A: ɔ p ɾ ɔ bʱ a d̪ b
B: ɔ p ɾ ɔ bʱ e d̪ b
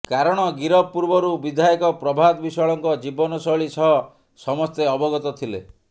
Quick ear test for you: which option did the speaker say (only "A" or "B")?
A